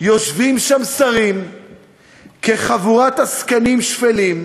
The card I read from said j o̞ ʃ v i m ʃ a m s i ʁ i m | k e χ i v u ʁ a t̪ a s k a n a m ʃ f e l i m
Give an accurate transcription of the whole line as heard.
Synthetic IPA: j o̞ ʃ v i m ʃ a m s a ʁ i m | k e χ a v u ʁ a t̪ a s k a n i m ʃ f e l i m